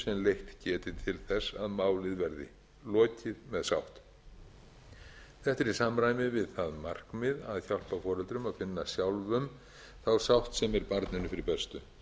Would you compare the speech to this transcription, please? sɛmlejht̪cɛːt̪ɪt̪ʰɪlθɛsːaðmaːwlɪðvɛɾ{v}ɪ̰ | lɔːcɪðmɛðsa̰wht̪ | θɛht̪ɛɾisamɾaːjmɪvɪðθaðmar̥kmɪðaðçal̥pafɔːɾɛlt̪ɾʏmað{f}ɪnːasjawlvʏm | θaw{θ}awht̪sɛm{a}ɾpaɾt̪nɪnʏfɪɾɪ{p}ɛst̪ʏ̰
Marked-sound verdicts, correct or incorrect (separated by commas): incorrect, correct, incorrect, incorrect, correct